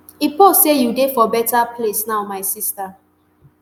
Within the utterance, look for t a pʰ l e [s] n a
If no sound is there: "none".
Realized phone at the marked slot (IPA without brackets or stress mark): s